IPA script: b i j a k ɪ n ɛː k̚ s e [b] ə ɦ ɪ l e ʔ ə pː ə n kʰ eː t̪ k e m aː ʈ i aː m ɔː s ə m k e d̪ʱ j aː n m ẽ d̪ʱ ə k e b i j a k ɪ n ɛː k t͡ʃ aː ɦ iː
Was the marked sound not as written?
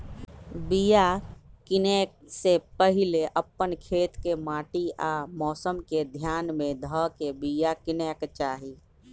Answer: yes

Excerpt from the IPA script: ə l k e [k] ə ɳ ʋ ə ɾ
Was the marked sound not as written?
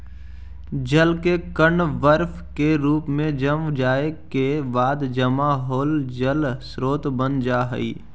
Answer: no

